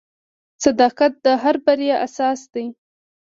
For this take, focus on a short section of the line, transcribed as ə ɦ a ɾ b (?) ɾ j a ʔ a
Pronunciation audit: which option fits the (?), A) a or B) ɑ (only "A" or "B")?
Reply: A